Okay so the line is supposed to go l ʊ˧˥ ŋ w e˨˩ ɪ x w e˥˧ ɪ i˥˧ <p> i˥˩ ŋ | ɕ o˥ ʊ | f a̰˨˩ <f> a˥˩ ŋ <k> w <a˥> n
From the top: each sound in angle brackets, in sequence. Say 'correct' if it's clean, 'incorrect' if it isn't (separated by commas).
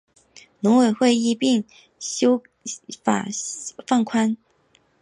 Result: correct, correct, incorrect, correct